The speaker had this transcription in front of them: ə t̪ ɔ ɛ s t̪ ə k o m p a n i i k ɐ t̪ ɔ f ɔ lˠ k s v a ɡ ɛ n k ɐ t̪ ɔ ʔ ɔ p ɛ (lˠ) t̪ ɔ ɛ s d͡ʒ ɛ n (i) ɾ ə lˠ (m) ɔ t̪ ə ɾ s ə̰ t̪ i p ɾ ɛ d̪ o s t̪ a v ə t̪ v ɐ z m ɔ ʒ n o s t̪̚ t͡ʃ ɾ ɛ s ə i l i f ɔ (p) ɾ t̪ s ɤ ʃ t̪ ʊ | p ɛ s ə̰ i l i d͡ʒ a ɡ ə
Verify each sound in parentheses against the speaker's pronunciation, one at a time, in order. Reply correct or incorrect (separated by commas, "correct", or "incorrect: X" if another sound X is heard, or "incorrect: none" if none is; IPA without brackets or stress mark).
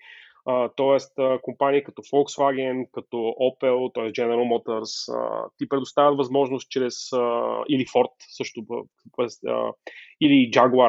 correct, incorrect: ɛ, correct, incorrect: none